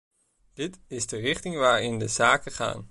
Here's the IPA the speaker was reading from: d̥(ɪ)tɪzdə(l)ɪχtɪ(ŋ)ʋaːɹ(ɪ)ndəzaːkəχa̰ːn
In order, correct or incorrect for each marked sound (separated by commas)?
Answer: correct, incorrect, correct, correct